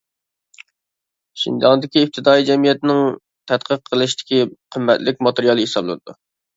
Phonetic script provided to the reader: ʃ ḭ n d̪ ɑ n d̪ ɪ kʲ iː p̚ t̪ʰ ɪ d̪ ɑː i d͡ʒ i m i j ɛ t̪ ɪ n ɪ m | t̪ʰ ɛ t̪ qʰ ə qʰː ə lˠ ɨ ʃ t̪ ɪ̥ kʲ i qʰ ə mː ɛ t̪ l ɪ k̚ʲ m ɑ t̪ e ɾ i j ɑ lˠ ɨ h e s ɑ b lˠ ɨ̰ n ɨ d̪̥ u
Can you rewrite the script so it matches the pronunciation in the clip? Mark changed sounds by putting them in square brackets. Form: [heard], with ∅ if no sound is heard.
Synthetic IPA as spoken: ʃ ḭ n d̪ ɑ n d̪ ɪ kʲ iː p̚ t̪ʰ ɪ d̪ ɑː i d͡ʒ [ɛ] m i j ɛ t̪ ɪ n ɪ [ŋ] | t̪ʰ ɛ t̪ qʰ ə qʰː ə lˠ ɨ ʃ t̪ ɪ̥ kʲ i qʰ ə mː ɛ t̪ l ɪ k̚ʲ m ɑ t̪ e ɾ i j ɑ lˠ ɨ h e s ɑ b lˠ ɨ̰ n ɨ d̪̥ u

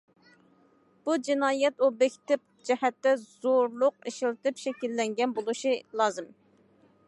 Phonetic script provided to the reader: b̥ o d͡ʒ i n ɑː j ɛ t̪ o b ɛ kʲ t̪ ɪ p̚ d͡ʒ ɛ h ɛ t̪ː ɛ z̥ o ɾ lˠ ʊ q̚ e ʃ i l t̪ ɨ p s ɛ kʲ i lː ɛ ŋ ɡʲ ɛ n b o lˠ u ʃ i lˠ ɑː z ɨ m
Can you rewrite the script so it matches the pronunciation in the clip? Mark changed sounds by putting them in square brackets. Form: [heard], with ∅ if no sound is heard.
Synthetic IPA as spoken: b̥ [u] d͡ʒ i n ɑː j ɛ t̪ o b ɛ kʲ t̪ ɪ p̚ d͡ʒ ɛ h ɛ t̪ː ɛ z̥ o ɾ lˠ ʊ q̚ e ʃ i l t̪ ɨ p [ʃ] ɛ kʲ i lː ɛ ŋ ɡʲ ɛ n b o lˠ u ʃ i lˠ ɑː z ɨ m

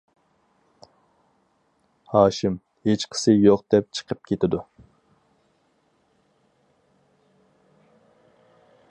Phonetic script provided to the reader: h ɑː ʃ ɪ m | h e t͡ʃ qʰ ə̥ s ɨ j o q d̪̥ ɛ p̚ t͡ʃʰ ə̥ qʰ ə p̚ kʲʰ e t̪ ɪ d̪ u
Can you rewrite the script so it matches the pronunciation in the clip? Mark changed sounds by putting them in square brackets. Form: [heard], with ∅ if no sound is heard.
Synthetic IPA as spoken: h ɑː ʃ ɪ m | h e t͡ʃ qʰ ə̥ s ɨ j o q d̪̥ ɛ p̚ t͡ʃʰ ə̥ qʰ ə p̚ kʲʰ e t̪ ɪ d̪ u

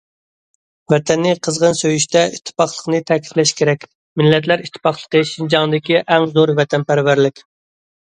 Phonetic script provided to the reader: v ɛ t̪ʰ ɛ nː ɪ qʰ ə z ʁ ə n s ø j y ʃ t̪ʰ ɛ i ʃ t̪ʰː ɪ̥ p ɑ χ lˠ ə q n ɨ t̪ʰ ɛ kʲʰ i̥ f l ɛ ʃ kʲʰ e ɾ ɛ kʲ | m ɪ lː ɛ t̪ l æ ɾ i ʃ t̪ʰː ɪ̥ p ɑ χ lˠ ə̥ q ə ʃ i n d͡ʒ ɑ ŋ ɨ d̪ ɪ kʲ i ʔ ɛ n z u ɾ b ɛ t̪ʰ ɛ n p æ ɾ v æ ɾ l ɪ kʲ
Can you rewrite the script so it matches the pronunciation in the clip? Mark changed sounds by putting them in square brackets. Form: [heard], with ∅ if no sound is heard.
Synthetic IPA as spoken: v ɛ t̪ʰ ɛ nː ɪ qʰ ə z ʁ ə n s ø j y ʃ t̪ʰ ɛ i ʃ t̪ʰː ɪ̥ p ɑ χ lˠ ə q n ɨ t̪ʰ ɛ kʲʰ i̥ f l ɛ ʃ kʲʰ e ɾ ɛ kʲ | m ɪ lː ɛ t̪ l æ ɾ i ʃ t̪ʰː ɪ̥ p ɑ χ lˠ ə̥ q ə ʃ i n d͡ʒ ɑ ŋ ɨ d̪ ɪ kʲ i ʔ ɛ [ŋ] z [o] ɾ [v] ɛ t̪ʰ ɛ n p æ ɾ v æ ɾ l ɪ kʲ

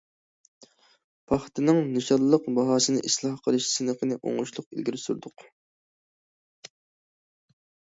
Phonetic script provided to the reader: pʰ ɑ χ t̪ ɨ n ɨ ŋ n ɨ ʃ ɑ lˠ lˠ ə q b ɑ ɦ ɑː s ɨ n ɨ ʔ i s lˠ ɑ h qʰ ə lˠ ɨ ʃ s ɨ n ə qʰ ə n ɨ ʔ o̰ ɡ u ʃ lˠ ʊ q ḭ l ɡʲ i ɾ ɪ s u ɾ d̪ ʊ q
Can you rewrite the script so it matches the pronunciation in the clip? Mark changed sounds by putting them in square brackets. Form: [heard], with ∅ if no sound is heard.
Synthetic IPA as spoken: pʰ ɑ χ t̪ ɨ n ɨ ŋ n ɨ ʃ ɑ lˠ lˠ ə q b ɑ ɦ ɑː s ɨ n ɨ ʔ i s lˠ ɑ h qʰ ə lˠ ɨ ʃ s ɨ n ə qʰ ə n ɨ ʔ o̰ [ŋ] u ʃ lˠ ʊ q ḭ l ɡʲ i ɾ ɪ s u ɾ d̪ ʊ q

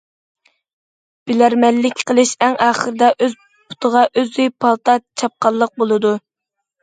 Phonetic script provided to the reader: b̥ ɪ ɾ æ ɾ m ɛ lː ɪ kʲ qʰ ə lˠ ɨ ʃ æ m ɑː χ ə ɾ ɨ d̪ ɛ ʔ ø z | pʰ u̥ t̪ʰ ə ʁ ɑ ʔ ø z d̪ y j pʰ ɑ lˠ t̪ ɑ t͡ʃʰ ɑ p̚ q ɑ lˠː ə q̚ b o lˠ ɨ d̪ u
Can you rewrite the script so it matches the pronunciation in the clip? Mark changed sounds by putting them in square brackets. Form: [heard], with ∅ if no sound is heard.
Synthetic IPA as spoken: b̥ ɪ [l] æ ɾ m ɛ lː ɪ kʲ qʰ ə lˠ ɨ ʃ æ [ŋ] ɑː χ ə ɾ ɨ d̪ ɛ ʔ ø z | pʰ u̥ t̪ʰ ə ʁ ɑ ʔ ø z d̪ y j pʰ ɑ lˠ t̪ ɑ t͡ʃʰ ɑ p̚ q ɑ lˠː ə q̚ b o lˠ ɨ d̪ u

